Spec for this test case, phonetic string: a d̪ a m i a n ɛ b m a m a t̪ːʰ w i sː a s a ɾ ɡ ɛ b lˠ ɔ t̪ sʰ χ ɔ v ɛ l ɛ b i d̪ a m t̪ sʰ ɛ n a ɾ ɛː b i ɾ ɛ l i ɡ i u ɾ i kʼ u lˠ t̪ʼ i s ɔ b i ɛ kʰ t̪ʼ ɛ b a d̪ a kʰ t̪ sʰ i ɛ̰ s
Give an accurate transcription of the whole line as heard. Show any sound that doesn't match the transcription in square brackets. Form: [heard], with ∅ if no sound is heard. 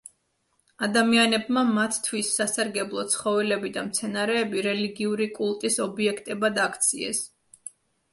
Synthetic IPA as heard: a d̪ a m i a n ɛ b m a m a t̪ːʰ w i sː a s a ɾ ɡ ɛ b lˠ ɔ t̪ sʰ χ ɔ v ɛ l ɛ b i d̪ a m t̪ sʰ ɛ n a ɾ ɛː b i ɾ ɛ l i ɡ i u ɾ i kʼ u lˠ t̪ʼ i s ɔ b i ɛ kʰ t̪ʼ ɛ b a d̪ a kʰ t̪ sʰ i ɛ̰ s